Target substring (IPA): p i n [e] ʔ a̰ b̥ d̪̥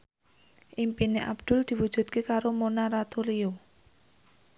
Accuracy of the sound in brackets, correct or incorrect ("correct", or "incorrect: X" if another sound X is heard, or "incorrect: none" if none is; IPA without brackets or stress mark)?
correct